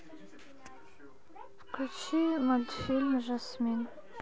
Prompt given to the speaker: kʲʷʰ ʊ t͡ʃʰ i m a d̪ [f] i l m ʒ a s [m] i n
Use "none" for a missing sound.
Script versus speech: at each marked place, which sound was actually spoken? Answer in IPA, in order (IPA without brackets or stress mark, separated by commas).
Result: f, m